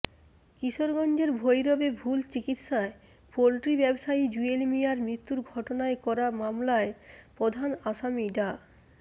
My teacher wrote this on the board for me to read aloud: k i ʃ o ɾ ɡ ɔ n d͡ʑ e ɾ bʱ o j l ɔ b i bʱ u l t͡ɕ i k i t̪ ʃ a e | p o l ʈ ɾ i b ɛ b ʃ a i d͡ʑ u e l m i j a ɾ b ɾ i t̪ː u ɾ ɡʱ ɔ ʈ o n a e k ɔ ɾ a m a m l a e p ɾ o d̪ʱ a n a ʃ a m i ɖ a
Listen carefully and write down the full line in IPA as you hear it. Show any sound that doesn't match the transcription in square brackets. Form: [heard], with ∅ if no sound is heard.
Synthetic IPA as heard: k i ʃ o ɾ ɡ ɔ n d͡ʑ e ɾ bʱ o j [ɾ] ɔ b [e] bʱ u l t͡ɕ i k i t̪ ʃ a e | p o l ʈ ɾ i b ɛ b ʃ a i d͡ʑ u e l m i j a ɾ [m] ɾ i t̪ː u ɾ ɡʱ ɔ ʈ o n a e k ɔ ɾ a m a m l a e p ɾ o d̪ʱ a n a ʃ a m i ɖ a